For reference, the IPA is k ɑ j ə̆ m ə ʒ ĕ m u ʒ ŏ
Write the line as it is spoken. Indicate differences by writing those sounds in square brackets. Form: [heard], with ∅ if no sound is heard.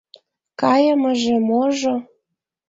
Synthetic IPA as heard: k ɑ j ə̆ m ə ʒ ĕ m [o] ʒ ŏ